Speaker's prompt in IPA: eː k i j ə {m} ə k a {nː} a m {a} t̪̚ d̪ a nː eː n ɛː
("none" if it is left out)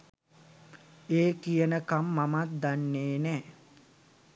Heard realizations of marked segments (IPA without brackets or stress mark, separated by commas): n, mː, a